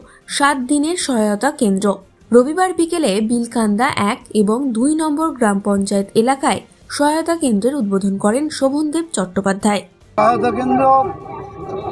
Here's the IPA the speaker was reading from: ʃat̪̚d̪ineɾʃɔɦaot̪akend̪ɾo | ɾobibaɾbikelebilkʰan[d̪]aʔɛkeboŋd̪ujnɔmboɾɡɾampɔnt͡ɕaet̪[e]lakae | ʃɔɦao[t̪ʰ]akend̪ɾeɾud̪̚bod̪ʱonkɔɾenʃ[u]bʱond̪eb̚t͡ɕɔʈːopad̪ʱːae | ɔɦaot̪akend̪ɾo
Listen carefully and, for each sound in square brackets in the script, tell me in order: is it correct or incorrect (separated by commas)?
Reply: correct, correct, incorrect, incorrect